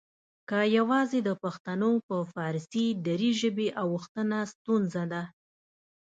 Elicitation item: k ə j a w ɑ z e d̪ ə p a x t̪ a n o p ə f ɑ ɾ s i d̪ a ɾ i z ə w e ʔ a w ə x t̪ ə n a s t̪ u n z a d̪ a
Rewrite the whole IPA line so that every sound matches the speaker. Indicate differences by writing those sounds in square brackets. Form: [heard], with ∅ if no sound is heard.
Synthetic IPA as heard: k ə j a w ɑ z e d̪ ə p a x t̪ a n o p ə f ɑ ɾ s i d̪ a ɾ i [ʒ] ə [b] e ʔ a w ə x t̪ ə n a s t̪ u n z a d̪ a